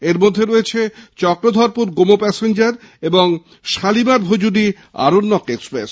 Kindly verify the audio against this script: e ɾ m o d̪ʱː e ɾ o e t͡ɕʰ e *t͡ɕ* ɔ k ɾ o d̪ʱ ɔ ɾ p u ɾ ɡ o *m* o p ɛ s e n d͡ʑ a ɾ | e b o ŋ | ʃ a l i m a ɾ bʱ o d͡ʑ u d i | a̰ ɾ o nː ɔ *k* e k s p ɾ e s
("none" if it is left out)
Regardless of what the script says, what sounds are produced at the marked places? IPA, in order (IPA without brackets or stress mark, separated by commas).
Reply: t͡ɕ, m, k